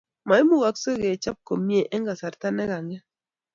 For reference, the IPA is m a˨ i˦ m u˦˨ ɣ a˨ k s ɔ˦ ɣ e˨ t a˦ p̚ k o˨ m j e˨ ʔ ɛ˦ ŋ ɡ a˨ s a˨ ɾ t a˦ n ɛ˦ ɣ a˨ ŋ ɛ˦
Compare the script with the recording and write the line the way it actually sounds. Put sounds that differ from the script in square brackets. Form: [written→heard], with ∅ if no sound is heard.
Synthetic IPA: m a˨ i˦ m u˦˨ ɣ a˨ k s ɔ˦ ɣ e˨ [t→t͡ʃ] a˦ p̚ k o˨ m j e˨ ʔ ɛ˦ ŋ ɡ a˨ s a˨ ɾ t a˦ n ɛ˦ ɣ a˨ ŋ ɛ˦